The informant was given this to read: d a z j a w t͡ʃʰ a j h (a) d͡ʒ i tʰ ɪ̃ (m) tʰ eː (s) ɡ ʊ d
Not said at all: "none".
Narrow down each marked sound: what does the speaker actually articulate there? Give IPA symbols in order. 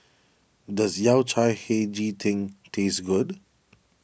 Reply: e, ŋ, s

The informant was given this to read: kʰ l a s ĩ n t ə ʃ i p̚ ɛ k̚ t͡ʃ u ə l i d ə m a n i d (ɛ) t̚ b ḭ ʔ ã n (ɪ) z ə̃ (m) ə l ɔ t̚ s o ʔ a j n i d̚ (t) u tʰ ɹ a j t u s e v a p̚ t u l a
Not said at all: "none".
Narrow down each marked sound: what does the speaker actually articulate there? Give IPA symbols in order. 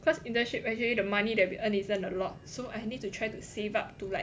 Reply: ɛ, i, n, t

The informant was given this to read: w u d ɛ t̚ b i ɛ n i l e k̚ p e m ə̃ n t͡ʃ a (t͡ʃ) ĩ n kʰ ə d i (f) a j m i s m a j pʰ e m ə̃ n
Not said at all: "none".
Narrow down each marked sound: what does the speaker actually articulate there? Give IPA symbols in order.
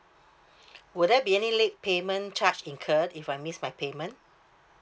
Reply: t͡ʃ, f

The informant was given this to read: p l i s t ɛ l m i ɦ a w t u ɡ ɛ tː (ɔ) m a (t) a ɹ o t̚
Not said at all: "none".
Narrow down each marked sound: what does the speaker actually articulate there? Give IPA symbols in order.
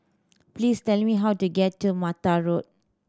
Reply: u, t

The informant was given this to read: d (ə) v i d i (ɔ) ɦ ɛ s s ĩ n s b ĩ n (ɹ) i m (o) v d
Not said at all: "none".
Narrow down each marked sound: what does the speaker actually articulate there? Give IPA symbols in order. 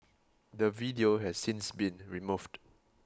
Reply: ə, o, ɹ, u

